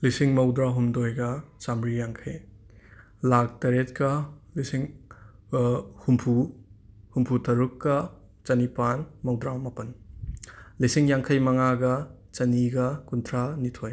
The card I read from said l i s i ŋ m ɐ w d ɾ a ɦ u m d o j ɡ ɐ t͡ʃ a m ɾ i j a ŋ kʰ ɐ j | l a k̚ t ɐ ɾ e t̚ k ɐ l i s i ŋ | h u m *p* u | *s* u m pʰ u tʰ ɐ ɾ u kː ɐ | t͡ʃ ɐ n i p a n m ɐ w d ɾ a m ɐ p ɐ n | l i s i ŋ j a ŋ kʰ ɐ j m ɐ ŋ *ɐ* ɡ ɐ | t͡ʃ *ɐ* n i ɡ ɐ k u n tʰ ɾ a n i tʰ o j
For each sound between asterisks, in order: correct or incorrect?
incorrect, incorrect, incorrect, correct

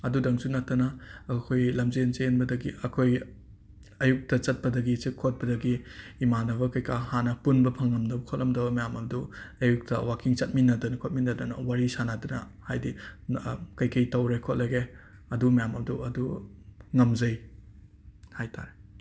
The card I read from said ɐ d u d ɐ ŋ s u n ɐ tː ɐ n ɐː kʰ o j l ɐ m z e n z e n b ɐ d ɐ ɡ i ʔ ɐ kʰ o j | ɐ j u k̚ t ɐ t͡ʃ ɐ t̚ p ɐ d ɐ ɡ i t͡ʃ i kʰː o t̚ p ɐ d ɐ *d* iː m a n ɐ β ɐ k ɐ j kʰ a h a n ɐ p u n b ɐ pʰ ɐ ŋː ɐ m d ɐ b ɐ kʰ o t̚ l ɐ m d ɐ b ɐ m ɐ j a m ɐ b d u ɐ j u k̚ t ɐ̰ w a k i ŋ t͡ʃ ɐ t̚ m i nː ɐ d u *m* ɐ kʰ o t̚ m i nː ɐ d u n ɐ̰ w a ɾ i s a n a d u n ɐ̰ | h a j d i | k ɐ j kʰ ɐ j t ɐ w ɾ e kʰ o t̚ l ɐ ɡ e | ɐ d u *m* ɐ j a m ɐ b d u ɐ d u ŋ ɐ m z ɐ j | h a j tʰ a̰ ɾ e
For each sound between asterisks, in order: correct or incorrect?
incorrect, incorrect, correct

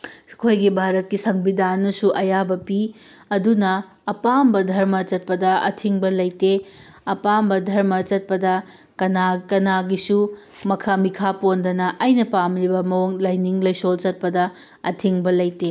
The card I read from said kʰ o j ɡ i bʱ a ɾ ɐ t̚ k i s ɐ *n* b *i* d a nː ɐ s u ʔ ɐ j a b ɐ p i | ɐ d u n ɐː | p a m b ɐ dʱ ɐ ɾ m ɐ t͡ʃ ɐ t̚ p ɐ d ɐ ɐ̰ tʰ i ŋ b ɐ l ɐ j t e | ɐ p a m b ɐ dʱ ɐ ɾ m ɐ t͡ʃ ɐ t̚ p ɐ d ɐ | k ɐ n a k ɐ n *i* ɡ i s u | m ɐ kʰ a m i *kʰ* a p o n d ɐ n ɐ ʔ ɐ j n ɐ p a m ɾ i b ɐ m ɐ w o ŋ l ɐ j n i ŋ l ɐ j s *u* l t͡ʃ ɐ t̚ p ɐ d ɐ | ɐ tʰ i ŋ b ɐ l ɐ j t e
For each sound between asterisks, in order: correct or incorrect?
incorrect, correct, incorrect, correct, incorrect

